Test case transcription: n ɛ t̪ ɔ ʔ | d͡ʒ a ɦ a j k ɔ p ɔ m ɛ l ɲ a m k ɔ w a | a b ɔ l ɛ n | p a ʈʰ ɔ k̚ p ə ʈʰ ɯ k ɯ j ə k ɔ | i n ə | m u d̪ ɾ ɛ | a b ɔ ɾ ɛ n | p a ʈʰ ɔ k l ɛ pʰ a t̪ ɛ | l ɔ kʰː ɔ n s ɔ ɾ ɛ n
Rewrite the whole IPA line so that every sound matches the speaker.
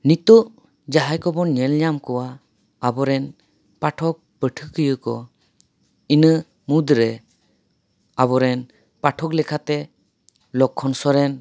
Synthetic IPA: n i t̪ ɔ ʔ | d͡ʒ a ɦ a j k ɔ b ɔ ɲ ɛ l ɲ a m k ɔ w a | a b ɔ ɾ ɛ n | p a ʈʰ ɔ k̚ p ə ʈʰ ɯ k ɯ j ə k ɔ | i n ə | m u d̪ ɾ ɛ | a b ɔ ɾ ɛ n | p a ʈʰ ɔ k l ɛ kʰ a t̪ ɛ | l ɔ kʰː ɔ n s ɔ ɾ ɛ n